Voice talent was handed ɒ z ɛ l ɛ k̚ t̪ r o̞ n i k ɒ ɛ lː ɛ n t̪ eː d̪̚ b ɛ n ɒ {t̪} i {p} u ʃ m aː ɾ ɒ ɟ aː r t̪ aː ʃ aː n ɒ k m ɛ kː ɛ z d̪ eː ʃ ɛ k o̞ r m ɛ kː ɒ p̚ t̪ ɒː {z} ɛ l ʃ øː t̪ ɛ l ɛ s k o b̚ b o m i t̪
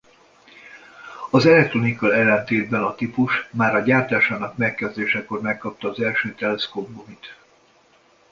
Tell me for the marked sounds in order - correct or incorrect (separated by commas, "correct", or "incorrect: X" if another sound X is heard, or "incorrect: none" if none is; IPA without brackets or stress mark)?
correct, correct, correct